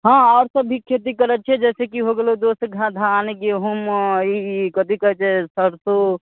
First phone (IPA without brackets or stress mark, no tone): ɦ